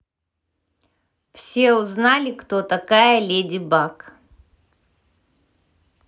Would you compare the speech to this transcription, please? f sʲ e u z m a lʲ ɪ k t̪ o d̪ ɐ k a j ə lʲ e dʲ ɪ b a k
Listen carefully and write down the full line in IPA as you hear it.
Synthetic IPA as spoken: f sʲ e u z n a lʲ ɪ k t̪ o t̪ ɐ k a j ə lʲ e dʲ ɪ b a k